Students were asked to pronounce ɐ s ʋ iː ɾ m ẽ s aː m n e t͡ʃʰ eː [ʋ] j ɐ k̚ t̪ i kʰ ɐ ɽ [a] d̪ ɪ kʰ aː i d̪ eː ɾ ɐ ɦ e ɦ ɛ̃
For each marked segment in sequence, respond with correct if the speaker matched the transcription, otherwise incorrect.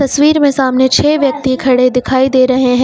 correct, incorrect: e

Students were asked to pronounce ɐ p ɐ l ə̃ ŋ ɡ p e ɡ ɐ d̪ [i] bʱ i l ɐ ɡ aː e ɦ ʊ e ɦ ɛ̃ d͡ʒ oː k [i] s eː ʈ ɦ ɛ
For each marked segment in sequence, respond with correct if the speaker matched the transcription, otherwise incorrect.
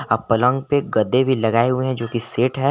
incorrect: e, correct

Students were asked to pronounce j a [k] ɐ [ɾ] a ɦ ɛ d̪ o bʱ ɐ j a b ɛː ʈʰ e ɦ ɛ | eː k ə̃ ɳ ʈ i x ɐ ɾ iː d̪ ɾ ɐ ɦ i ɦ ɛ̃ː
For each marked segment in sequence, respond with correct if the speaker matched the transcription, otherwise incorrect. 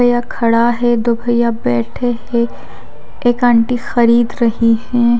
incorrect: kʰ, incorrect: ɽ

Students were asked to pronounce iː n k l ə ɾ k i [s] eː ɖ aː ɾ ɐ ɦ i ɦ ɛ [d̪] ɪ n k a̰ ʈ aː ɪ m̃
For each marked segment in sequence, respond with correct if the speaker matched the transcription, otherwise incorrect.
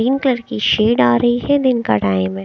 incorrect: ʃ, correct

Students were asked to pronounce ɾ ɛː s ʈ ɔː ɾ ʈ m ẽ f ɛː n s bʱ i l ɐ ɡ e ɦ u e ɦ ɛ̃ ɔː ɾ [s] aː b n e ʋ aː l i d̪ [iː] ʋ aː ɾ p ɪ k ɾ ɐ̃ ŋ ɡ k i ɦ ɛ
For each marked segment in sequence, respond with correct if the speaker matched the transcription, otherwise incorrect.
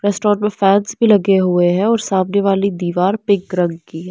correct, correct

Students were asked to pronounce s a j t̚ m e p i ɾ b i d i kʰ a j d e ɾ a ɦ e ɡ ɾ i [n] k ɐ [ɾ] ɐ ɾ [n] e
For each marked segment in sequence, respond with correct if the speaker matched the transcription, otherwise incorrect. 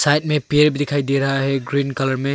correct, incorrect: l, incorrect: m

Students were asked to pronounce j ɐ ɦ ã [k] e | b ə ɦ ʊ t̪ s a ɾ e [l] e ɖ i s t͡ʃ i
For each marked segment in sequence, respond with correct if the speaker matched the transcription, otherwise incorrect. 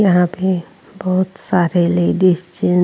incorrect: p, correct

